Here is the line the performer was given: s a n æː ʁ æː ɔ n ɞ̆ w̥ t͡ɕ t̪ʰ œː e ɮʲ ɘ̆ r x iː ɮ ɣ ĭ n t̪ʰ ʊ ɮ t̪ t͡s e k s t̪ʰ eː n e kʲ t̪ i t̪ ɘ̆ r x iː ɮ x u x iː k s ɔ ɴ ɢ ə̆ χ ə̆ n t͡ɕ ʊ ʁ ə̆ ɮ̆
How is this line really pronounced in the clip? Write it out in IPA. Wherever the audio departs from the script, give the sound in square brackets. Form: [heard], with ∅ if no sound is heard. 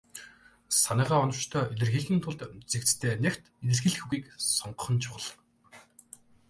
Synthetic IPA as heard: s a n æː ʁ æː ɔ n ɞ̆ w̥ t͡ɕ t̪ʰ œː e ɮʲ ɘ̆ r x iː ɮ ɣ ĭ n t̪ʰ ʊ ɮ t̪ t͡s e k [t͡s] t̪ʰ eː n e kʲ t̪ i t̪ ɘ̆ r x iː ɮ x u [ɣ] iː k s ɔ ɴ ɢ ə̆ χ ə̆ n [t͡ɕʰ] ʊ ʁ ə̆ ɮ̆